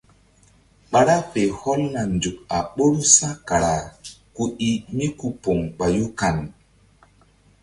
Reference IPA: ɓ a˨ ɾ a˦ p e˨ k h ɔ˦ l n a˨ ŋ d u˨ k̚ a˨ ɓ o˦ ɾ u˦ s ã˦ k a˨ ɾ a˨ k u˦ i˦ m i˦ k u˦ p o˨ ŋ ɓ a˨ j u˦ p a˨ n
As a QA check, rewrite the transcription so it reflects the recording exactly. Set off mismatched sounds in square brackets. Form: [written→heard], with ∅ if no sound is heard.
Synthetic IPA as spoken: ɓ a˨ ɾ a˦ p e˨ [k→∅] h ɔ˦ l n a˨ [ŋ→n] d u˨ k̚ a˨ ɓ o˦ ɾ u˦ s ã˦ k a˨ ɾ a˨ k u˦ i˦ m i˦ k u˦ p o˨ ŋ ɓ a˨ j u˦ [p→k] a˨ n